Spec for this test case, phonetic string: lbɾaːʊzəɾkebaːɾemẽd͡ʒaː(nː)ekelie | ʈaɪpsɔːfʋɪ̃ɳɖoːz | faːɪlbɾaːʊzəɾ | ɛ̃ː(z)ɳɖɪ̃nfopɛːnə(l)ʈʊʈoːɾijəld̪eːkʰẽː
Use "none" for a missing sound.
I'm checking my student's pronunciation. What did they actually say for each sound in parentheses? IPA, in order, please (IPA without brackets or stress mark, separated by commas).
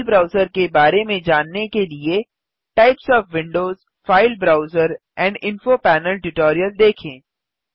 nː, none, l